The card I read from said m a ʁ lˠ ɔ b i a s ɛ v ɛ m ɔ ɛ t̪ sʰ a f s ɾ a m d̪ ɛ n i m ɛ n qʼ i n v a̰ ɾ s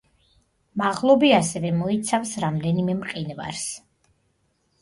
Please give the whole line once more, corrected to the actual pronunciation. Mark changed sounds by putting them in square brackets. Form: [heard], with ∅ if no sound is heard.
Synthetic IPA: m a ʁ lˠ ɔ b i a s ɛ v ɛ m ɔ [i] t̪ sʰ a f s ɾ a m d̪ ɛ n i m ɛ [m] qʼ i n v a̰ ɾ s